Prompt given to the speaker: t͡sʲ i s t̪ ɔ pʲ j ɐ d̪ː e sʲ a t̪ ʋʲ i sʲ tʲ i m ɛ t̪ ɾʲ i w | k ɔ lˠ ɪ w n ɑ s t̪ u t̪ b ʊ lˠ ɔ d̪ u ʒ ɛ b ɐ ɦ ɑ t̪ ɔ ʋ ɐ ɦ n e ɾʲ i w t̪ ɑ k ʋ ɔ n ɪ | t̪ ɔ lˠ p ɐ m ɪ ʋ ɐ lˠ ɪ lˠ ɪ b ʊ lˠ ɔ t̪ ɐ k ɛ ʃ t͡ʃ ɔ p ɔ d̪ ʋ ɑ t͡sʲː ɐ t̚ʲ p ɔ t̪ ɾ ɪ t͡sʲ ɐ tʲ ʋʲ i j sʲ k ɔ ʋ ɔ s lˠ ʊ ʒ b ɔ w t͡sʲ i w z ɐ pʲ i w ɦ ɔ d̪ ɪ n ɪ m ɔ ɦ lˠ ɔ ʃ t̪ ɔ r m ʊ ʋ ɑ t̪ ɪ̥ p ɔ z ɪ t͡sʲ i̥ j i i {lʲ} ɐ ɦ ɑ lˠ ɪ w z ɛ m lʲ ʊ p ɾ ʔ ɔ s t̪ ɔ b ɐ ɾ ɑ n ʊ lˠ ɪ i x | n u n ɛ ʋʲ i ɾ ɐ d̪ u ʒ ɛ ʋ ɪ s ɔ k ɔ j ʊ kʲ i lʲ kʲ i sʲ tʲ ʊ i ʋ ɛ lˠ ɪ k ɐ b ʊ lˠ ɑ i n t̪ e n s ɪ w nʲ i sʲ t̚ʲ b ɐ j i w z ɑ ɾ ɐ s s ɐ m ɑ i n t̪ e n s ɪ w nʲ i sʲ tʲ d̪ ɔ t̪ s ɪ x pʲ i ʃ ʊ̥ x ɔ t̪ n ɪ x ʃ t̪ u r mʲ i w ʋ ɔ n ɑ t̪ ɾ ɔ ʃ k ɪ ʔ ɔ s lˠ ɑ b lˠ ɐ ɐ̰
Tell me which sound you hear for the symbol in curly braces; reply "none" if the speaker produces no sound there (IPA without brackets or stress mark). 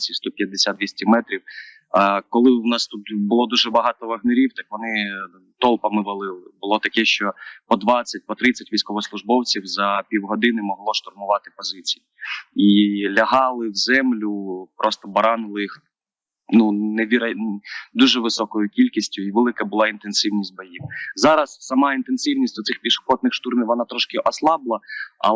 lʲ